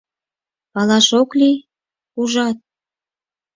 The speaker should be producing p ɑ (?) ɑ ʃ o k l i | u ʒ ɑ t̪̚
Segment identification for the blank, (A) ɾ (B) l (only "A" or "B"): B